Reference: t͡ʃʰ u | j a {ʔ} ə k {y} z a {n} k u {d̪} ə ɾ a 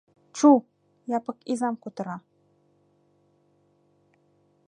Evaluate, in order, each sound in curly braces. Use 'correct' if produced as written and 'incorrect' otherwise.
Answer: incorrect: p, incorrect: i, incorrect: m, incorrect: t̪

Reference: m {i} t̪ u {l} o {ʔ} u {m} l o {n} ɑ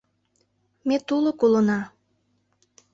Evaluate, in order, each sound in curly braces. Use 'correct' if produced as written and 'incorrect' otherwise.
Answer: incorrect: e, correct, incorrect: k, incorrect: none, correct

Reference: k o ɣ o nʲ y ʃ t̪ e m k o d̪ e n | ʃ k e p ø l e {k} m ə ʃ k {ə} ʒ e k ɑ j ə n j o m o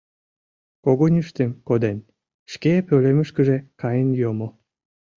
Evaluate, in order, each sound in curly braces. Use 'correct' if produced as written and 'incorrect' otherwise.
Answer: incorrect: none, correct

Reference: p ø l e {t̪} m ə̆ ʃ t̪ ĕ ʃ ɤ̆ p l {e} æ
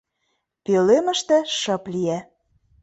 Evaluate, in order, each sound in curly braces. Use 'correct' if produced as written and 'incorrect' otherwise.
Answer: incorrect: none, incorrect: i

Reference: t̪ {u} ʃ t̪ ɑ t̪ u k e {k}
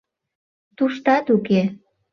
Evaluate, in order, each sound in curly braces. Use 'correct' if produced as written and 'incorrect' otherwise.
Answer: correct, incorrect: none

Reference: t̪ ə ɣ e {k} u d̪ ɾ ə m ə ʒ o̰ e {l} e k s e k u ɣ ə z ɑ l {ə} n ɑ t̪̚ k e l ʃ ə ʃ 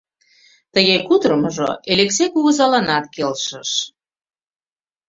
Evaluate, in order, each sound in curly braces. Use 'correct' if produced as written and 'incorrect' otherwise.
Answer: correct, correct, incorrect: ɑ

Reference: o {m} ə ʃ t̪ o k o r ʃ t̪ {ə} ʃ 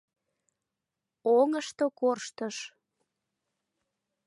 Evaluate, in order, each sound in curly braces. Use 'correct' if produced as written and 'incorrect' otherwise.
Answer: incorrect: ŋ, correct

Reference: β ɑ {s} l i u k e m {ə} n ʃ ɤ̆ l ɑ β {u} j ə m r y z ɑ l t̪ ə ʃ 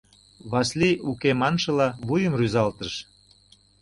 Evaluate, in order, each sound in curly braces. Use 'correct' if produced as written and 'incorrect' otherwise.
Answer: correct, incorrect: ɑ, correct

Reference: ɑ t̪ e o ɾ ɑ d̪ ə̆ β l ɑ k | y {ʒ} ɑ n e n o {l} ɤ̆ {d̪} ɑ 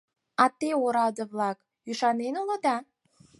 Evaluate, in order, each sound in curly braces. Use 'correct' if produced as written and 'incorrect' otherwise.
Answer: incorrect: ʃ, correct, correct

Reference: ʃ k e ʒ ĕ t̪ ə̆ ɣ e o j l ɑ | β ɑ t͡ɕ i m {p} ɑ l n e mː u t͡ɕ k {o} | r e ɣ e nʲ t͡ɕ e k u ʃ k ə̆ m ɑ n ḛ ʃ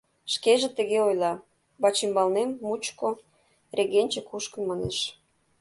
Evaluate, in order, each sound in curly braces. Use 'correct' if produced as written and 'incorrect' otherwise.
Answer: incorrect: b, correct

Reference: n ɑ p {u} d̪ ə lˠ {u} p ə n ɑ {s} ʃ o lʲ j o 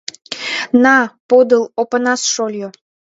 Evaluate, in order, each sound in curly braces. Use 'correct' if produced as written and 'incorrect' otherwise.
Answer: incorrect: o, incorrect: o, correct

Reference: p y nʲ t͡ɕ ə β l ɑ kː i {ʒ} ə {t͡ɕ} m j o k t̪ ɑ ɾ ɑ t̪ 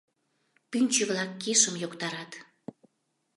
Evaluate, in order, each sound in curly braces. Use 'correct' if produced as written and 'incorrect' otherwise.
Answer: incorrect: ʃ, incorrect: none

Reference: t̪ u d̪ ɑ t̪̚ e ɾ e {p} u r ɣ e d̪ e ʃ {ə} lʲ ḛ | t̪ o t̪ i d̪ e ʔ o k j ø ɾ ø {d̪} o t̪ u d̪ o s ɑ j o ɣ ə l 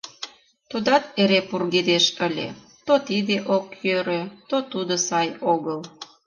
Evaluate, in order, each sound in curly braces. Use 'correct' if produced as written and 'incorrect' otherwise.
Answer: correct, correct, incorrect: t̪

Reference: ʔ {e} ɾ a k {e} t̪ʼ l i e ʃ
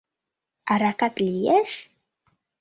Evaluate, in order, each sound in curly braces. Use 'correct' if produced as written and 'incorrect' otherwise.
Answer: incorrect: a, incorrect: a

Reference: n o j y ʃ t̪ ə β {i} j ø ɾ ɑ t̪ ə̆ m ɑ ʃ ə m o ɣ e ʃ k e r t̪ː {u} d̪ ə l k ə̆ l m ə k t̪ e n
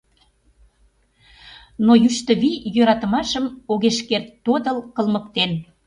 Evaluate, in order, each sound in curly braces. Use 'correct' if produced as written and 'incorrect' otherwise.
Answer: correct, incorrect: o

